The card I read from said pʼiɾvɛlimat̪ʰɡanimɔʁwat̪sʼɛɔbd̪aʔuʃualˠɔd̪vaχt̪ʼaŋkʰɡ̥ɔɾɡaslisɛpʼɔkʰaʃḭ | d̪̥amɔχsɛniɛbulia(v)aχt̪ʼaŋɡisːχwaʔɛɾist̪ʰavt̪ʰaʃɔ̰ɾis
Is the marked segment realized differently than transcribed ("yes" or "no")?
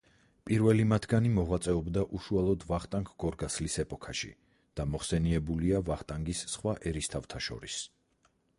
no